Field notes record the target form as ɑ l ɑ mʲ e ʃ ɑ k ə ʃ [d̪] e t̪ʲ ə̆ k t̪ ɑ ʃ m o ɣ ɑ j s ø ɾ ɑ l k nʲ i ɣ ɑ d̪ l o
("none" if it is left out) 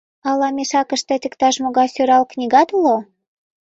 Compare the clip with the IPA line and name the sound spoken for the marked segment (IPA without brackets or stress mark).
t̪